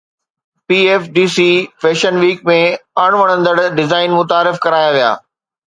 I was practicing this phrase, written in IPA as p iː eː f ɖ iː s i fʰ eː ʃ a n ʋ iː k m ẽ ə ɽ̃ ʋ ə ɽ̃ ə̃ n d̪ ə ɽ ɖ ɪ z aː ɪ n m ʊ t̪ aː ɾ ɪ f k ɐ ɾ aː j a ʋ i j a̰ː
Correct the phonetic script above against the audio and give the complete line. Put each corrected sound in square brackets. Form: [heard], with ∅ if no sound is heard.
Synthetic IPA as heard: p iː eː f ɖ iː s i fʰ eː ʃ [ə] n ʋ iː k m ẽ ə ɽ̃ ʋ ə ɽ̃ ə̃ n d̪ ə ɽ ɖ ɪ z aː ɪ n m ʊ t̪ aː ɾ ɪ f k ɐ ɾ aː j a ʋ i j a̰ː